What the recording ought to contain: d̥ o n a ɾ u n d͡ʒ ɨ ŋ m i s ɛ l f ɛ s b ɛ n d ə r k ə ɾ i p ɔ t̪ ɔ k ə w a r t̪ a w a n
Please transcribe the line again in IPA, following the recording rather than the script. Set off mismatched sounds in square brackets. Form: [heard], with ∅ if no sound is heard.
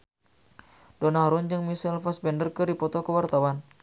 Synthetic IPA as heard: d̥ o n a ɾ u n d͡ʒ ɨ ŋ m i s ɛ l f [a] s b ɛ n d ə r k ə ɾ i p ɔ t̪ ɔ k ə w a r t̪ a w a n